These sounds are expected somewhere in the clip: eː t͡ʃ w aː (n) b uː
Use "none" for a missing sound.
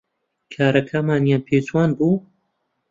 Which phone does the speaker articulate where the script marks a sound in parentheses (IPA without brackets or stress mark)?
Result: n